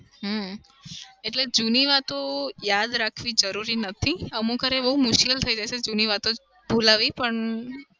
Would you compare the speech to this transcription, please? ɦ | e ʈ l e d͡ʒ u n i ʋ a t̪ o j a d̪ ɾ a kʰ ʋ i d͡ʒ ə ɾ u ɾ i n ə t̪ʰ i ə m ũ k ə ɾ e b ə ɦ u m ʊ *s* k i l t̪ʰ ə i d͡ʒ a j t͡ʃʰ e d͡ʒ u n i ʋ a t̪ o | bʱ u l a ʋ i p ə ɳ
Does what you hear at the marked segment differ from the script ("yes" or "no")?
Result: yes